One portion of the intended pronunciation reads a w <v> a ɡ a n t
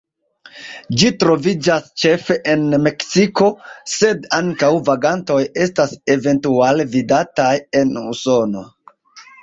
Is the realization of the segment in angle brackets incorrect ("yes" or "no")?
no